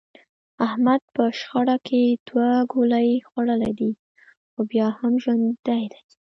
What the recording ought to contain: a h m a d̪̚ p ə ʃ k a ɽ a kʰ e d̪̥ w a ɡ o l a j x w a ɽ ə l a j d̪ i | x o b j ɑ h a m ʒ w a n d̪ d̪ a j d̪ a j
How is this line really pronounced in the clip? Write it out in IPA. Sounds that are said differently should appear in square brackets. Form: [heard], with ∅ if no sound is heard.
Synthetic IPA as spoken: a h m a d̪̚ p ə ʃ [x] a ɽ a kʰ e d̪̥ w a ɡ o l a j x w a ɽ ə l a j d̪ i | x o b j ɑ h a m ʒ w a n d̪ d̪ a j d̪ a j